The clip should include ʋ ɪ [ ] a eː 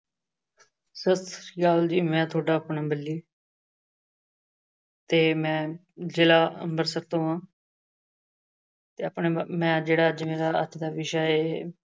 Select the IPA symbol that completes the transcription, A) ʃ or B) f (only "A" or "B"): A